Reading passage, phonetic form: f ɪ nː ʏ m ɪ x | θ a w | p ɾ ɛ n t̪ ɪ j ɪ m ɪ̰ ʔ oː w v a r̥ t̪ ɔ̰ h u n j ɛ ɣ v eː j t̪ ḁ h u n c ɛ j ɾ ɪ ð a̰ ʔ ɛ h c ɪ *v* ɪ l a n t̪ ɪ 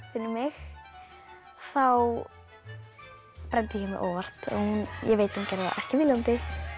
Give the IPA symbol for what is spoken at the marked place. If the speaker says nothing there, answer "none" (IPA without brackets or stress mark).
v